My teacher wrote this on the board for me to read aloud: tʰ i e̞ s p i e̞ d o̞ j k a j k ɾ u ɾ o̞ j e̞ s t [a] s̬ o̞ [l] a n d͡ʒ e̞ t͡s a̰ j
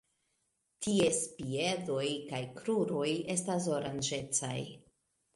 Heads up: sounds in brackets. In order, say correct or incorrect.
correct, incorrect: ɾ

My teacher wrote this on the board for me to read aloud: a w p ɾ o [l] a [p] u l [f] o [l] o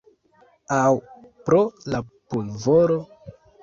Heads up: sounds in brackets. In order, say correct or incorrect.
correct, correct, incorrect: v, incorrect: ɾ

